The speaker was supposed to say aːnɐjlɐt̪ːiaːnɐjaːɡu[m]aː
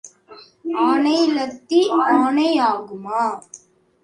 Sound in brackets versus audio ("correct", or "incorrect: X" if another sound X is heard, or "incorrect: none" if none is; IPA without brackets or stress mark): correct